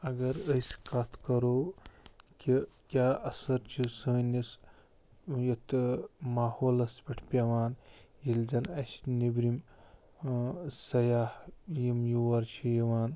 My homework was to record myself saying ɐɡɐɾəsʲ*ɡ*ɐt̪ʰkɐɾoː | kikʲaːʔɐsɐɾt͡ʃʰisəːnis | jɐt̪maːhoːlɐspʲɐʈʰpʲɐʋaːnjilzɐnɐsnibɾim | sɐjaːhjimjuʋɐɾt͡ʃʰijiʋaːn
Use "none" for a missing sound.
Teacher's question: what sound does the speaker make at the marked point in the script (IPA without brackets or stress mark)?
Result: k